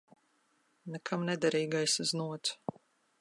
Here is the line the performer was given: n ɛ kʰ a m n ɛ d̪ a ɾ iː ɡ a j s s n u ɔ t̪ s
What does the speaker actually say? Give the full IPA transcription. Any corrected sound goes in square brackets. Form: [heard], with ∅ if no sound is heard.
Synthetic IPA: n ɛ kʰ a m n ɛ d̪ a ɾ iː ɡ a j s [z] n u ɔ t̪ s